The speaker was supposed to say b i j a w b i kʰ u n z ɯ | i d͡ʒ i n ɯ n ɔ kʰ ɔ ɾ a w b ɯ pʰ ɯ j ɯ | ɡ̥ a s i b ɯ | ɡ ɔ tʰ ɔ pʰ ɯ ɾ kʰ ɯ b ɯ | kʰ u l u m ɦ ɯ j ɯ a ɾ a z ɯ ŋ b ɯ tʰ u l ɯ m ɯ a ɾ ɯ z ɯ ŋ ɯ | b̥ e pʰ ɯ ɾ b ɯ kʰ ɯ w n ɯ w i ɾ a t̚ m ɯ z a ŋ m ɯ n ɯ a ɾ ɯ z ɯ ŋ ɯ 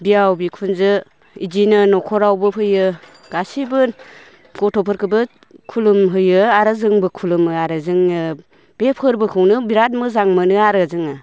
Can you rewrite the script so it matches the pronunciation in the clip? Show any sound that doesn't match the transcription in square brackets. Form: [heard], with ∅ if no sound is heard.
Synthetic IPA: b i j a w b i kʰ u n z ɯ | i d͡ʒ i n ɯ n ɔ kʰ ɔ ɾ a w b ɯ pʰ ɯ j ɯ | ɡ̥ a s i b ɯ | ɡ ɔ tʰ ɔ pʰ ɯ ɾ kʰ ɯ b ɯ | kʰ u l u m ɦ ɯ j ɯ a ɾ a z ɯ ŋ b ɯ [kʰ] u l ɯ m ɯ a ɾ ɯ z ɯ ŋ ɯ | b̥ e pʰ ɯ ɾ b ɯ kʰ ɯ w n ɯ [b] i ɾ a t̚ m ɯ z a ŋ m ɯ n ɯ a ɾ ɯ z ɯ ŋ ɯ